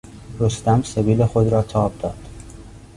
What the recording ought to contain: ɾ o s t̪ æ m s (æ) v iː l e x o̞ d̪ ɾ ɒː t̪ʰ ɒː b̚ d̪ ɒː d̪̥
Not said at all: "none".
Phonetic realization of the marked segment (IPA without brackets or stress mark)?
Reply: e